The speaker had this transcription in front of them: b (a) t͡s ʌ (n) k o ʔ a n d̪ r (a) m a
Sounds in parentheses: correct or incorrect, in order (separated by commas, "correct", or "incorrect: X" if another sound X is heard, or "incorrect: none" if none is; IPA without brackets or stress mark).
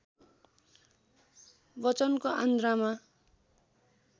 incorrect: ʌ, correct, correct